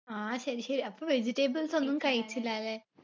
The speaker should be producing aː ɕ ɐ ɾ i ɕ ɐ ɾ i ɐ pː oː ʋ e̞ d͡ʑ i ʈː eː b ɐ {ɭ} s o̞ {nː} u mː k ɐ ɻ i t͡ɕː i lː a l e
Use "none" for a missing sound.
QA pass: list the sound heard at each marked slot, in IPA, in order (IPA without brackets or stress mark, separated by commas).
l, nː